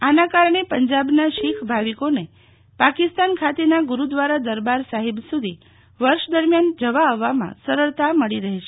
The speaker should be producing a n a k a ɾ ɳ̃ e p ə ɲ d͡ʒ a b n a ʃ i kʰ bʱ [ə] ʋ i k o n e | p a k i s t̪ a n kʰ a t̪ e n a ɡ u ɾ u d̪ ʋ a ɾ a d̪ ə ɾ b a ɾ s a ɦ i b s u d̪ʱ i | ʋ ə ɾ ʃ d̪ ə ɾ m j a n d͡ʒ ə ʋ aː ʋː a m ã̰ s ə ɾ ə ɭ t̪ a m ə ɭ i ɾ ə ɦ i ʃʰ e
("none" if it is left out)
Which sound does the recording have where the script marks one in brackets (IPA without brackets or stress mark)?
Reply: a